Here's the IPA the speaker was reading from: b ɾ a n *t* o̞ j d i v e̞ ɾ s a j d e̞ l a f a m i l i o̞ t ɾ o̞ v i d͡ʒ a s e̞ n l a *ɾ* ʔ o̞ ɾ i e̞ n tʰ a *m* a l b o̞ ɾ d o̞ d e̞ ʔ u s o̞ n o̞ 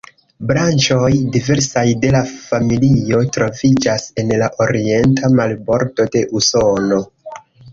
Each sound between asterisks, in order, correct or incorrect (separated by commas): incorrect, incorrect, correct